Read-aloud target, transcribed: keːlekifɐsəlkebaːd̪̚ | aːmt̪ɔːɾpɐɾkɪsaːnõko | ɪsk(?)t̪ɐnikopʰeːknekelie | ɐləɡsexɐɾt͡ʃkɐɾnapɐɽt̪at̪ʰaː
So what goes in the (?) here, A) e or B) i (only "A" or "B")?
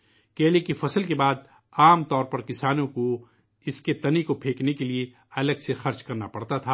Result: A